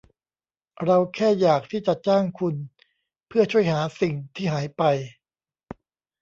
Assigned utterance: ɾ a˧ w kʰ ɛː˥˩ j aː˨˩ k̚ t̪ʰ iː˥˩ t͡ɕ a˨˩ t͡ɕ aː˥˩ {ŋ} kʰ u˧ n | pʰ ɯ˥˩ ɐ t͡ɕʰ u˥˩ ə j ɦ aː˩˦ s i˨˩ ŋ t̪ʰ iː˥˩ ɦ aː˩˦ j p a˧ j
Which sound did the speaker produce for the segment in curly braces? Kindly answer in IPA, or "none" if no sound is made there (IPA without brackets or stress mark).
ŋ